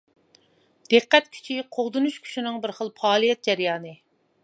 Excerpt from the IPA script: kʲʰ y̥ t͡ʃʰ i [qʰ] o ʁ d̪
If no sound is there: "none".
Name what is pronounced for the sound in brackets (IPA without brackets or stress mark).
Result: qʰ